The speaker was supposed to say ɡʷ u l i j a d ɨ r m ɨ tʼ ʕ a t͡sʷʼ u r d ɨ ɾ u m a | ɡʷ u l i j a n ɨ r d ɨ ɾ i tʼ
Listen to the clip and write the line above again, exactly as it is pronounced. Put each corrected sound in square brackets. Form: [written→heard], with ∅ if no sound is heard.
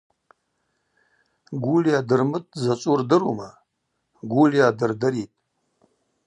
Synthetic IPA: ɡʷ u l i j a d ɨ r m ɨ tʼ [ʕ→z] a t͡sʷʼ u r d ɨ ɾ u m a | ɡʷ u l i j a [n→d] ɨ r d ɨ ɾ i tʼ